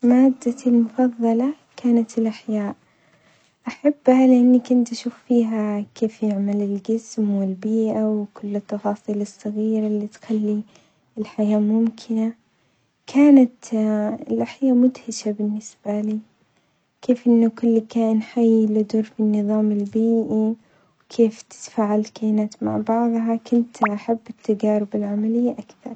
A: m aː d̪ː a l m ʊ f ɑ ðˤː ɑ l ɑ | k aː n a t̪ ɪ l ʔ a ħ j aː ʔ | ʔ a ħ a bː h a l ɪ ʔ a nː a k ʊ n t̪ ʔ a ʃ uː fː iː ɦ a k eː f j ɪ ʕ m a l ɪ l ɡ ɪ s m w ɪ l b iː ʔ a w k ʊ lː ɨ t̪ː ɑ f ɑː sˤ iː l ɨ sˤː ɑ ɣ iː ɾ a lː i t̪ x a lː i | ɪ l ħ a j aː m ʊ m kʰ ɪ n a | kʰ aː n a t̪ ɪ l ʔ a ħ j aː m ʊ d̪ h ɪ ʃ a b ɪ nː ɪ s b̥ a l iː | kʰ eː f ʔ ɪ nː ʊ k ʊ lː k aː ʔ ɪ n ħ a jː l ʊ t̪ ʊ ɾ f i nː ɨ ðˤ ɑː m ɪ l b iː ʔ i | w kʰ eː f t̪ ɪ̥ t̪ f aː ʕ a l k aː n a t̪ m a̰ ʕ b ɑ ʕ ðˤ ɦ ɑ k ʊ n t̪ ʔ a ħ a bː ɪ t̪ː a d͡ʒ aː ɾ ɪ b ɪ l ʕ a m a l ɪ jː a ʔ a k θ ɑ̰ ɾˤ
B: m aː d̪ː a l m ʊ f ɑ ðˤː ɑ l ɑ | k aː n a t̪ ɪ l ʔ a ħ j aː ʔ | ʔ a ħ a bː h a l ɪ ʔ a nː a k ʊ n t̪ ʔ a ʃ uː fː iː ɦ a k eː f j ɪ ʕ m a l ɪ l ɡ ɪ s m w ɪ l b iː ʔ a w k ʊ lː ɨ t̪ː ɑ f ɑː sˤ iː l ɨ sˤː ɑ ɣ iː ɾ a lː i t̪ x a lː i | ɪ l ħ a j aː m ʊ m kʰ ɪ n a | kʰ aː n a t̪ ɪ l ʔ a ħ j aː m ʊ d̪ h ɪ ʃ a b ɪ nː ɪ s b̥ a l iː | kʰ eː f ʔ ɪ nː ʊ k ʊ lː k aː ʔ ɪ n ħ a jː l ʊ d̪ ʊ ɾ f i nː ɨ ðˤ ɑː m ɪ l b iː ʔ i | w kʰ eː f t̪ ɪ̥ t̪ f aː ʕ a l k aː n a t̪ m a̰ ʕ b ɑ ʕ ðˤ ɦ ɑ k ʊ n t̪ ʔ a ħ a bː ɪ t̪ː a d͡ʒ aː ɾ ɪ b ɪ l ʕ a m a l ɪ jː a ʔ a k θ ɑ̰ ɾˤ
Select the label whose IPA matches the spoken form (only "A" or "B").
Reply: B